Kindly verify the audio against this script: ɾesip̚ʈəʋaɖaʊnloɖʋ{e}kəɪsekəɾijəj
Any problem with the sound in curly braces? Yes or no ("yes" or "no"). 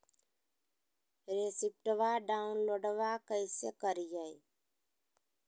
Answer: yes